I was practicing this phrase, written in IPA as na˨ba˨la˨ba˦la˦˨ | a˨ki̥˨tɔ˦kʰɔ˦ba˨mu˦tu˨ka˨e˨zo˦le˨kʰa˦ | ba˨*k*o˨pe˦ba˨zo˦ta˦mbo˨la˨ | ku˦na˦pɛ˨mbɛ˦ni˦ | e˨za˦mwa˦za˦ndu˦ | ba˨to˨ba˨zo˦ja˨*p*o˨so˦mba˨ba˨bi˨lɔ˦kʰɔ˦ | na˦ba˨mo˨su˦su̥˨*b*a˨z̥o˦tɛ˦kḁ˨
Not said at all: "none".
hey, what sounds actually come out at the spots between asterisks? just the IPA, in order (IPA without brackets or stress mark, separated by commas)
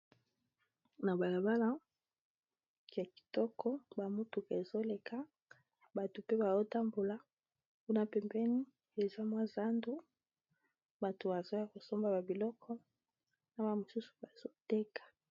t, k, b